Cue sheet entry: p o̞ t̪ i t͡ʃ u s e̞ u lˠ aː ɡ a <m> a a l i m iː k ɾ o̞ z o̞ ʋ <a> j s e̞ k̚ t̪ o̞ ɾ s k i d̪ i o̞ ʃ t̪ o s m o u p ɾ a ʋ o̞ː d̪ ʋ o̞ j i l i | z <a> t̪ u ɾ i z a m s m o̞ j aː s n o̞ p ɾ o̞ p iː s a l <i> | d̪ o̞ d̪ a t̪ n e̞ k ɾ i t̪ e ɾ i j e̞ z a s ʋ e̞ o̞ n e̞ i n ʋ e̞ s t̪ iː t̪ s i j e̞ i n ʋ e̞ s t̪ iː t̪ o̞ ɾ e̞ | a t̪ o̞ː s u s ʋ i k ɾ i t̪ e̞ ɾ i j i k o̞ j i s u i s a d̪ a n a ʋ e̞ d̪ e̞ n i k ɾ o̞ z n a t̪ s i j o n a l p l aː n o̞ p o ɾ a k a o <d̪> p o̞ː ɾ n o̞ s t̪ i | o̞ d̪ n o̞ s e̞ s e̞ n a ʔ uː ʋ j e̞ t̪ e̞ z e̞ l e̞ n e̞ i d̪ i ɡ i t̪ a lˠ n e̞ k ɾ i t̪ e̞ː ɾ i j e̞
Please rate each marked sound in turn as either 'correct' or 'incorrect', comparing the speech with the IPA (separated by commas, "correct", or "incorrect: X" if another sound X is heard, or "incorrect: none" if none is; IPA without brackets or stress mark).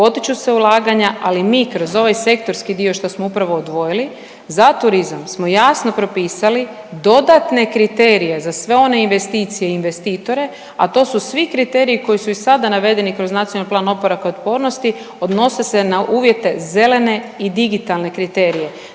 incorrect: ɲ, correct, correct, correct, incorrect: t̪